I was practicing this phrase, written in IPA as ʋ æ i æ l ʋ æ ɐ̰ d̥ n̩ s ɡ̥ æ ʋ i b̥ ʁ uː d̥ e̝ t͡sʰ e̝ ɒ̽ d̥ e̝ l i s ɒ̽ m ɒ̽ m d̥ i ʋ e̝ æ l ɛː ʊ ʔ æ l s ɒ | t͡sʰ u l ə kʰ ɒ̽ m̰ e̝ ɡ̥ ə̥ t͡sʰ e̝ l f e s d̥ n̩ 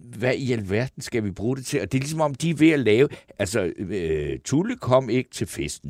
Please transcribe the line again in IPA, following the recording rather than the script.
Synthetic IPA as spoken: ʋ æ i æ l ʋ æ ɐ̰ d̥ n̩ s ɡ̥ æ ʋ i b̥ ʁ uː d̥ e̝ t͡sʰ e̝ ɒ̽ d̥ e̝ l i s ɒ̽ m ɒ̽ m d̥ i ʋ e̝ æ l ɛː ʊ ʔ æ l s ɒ | t͡sʰ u l ə kʰ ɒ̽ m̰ e̝ ɡ̥ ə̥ t͡sʰ e̝ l f e s d̥ n̩